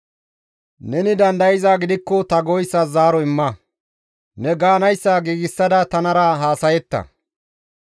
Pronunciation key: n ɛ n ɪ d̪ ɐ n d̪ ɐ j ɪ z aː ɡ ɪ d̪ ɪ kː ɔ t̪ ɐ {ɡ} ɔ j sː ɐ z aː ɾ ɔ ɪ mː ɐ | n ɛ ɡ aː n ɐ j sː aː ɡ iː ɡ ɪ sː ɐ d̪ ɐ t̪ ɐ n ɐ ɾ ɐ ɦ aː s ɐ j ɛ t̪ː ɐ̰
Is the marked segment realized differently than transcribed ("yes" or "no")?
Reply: no